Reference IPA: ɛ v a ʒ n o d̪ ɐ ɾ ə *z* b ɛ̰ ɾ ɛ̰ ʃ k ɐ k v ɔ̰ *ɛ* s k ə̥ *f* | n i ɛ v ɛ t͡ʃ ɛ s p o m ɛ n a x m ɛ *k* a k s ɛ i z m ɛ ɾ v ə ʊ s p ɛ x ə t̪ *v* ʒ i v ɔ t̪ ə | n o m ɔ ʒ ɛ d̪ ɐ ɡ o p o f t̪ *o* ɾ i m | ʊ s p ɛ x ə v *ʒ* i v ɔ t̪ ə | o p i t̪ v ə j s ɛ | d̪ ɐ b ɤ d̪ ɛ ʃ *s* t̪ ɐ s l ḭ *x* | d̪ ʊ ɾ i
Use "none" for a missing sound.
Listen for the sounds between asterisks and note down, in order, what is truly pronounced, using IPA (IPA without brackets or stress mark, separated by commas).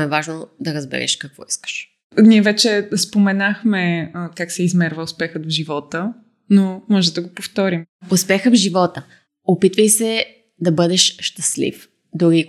z, i, ʃ, k, v, ɔ, ʒ, ʃ, f